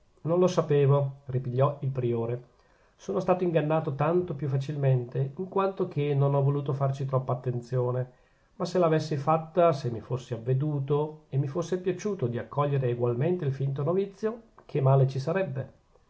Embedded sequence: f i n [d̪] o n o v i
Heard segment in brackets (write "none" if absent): t̪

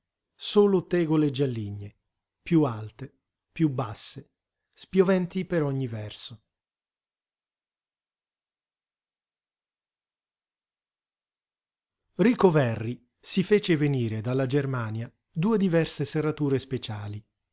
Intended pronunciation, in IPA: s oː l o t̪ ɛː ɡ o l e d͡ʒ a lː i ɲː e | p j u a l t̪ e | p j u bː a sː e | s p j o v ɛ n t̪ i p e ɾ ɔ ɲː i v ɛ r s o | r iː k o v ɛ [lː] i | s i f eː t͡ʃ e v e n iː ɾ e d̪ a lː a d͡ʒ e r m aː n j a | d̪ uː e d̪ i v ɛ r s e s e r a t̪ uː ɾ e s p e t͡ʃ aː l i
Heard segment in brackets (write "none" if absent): rː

